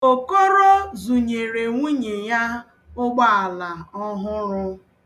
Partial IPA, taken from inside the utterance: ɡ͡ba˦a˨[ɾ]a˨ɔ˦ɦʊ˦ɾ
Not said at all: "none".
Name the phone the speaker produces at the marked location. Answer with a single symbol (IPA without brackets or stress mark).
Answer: l